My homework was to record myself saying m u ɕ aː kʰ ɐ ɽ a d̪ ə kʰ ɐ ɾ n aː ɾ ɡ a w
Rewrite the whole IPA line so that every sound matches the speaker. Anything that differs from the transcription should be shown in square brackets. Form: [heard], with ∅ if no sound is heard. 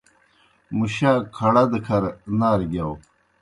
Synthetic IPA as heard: m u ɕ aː kʰ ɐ ɽ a d̪ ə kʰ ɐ ɾ n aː ɾ ɡ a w